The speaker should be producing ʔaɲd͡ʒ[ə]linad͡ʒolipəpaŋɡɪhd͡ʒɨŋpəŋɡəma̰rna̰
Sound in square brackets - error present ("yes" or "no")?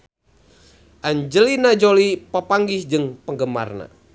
no